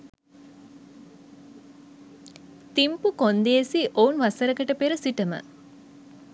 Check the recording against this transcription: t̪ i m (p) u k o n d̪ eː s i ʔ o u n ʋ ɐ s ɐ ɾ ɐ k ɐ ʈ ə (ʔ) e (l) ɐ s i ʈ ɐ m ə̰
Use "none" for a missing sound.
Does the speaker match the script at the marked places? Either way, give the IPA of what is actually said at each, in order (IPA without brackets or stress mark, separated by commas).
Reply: p, p, ɾ